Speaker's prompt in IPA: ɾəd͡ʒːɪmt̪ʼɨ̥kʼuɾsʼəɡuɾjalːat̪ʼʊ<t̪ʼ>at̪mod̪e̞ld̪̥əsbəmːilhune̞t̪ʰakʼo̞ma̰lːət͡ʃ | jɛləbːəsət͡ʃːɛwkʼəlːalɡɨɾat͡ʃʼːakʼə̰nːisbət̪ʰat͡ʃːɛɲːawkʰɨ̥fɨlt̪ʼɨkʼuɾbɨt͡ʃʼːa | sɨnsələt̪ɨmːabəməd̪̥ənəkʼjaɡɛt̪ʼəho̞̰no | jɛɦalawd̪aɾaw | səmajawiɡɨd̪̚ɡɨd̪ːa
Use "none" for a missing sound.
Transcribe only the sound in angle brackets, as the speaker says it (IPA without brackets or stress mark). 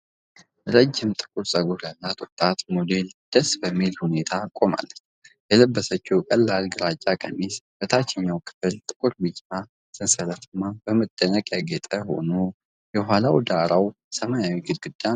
t̪ʼ